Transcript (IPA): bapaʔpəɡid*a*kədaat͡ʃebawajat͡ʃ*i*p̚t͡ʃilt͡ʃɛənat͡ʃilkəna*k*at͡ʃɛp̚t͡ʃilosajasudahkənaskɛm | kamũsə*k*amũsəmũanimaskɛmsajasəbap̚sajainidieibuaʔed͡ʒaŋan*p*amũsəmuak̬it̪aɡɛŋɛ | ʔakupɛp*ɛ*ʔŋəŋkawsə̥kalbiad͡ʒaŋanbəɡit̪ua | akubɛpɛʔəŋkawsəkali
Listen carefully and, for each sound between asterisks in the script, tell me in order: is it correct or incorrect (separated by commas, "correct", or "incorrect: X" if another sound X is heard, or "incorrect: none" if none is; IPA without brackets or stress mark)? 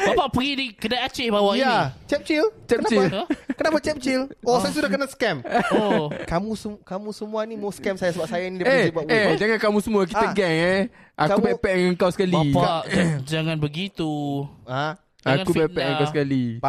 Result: incorrect: i, incorrect: ɛ, incorrect: p, correct, incorrect: k, correct